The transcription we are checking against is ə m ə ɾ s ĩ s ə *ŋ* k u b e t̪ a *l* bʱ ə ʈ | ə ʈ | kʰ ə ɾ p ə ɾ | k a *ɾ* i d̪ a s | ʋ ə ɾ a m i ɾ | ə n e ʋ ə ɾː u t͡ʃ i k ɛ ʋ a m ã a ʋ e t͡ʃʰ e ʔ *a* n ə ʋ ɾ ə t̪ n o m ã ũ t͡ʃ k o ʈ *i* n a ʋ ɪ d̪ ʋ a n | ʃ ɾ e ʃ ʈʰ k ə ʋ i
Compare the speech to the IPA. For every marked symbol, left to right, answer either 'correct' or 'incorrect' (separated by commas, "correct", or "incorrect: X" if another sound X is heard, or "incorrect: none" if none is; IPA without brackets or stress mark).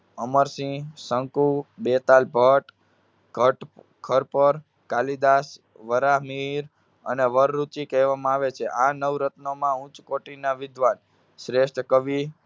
correct, correct, incorrect: l, correct, correct